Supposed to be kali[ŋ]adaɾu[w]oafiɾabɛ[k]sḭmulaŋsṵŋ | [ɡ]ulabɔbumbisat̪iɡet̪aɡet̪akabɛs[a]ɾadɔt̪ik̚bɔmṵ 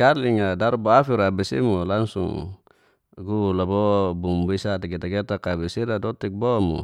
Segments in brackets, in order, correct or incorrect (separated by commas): correct, incorrect, incorrect, correct, incorrect